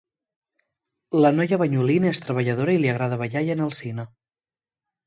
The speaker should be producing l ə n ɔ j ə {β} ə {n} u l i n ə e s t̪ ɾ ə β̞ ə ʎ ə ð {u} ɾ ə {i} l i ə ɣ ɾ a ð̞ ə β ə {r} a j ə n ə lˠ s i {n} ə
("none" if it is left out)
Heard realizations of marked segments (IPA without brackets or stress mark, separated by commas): β, ɲ, o, i, ʎ, n